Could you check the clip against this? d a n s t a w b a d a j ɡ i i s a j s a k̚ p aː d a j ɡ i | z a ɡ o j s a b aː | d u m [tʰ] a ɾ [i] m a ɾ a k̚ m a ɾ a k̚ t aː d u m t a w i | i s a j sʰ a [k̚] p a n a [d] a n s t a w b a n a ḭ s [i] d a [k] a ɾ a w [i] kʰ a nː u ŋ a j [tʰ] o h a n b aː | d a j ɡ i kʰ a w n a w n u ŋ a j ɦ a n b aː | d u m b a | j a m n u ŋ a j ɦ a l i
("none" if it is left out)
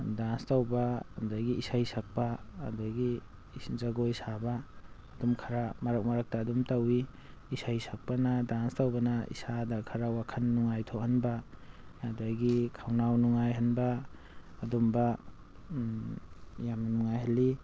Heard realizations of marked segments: kʰ, a, k̚, d, a, kʰ, a, tʰ

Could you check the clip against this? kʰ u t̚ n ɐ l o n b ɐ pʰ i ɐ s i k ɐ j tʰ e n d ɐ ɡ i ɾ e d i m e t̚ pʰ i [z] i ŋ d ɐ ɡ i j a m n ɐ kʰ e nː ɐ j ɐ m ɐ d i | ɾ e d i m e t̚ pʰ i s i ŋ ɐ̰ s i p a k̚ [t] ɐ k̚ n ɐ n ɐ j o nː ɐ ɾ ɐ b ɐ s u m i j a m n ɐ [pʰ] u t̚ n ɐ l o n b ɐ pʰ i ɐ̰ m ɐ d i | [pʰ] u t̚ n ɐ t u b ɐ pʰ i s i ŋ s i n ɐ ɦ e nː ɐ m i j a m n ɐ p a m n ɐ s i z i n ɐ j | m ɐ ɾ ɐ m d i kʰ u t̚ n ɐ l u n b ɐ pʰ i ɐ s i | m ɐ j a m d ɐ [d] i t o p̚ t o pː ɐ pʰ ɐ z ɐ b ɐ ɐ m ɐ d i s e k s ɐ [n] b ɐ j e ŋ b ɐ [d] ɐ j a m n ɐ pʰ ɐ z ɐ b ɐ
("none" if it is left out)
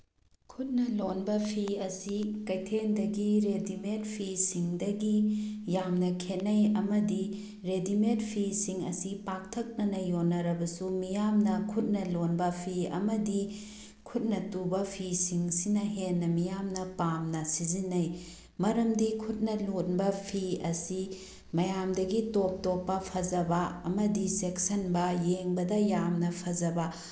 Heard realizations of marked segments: s, tʰ, kʰ, kʰ, ɡ, n, d

